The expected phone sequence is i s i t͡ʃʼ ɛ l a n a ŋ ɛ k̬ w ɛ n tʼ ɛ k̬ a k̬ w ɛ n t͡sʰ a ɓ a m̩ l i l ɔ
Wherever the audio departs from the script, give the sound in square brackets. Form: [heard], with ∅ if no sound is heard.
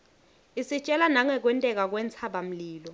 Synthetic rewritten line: i s i t͡ʃʼ ɛ l a n a ŋ ɛ k̬ w ɛ n tʼ ɛ k̬ a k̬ w ɛ n t͡sʰ a ɓ a m̩ l [iː] l ɔ